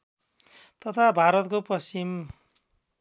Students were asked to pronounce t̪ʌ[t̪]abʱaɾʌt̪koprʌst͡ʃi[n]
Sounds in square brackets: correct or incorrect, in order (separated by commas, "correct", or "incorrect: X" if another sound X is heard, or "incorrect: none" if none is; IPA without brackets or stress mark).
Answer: incorrect: t̪ʰ, incorrect: m